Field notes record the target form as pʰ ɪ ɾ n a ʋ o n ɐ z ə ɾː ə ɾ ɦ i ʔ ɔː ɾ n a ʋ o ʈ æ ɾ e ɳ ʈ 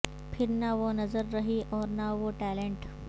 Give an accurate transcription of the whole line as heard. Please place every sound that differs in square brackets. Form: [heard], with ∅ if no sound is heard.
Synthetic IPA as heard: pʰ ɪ ɾ n a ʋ o n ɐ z ə ɾː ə [∅] ɦ i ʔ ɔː ɾ n a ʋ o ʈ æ [l] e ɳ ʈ